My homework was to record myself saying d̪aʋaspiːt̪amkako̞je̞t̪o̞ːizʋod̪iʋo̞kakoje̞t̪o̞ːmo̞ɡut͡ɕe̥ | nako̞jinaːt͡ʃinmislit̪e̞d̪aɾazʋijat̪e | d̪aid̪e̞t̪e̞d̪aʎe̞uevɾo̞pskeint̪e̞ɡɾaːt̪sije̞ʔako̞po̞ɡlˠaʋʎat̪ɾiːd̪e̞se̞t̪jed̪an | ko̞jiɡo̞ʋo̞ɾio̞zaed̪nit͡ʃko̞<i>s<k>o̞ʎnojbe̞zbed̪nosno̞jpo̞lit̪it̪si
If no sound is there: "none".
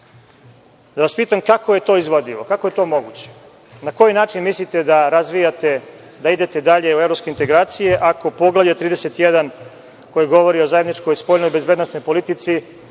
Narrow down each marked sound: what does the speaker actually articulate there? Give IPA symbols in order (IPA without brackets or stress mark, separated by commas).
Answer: j, p